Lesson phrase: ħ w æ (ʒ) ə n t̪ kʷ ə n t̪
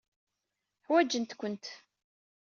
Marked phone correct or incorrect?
incorrect: d͡ʒ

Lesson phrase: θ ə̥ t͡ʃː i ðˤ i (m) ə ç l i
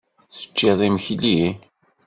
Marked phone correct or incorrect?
correct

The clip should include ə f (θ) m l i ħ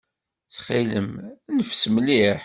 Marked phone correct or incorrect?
incorrect: s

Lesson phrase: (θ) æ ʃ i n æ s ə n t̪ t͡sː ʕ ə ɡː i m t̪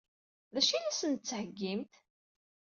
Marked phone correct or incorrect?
incorrect: ð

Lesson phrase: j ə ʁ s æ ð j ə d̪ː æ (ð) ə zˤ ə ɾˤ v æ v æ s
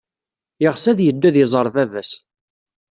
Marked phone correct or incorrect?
correct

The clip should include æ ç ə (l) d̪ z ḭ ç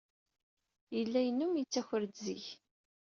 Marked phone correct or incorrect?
incorrect: ɾ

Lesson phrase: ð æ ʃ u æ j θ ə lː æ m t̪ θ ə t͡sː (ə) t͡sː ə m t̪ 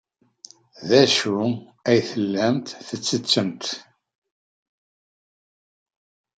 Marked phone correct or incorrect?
correct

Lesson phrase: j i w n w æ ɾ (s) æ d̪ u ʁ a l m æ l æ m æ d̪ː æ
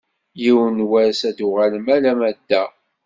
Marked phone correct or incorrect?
correct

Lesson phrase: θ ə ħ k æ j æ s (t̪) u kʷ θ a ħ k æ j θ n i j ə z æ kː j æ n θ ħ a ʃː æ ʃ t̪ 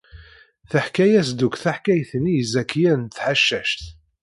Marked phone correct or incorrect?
incorrect: d̪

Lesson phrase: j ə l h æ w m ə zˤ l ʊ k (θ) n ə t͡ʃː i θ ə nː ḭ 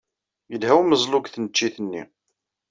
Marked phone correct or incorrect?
correct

